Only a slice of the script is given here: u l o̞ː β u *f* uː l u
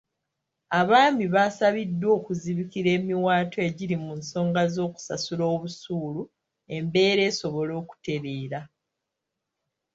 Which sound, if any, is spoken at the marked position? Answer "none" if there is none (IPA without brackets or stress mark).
s